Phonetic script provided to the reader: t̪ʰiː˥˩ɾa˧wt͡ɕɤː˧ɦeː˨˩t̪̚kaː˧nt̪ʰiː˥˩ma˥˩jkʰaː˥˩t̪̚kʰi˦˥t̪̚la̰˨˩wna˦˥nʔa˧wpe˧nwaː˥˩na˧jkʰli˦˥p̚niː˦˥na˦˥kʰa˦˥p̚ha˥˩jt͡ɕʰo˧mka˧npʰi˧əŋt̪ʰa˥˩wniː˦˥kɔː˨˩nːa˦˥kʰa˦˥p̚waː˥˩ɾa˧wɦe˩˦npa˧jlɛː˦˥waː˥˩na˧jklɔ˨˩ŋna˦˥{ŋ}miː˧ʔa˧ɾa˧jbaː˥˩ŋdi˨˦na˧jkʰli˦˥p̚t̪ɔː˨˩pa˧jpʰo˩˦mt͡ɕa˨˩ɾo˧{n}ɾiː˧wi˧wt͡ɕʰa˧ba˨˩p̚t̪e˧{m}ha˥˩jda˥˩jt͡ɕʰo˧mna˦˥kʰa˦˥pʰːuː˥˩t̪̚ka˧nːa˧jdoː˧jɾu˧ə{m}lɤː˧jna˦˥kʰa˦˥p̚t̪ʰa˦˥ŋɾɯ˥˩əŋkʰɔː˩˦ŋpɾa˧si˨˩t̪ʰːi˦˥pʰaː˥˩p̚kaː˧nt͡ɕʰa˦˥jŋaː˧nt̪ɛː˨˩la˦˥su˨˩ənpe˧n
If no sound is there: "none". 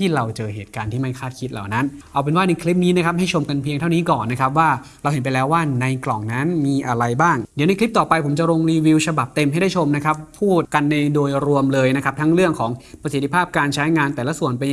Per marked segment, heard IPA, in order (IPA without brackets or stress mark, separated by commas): n, ŋ, m, m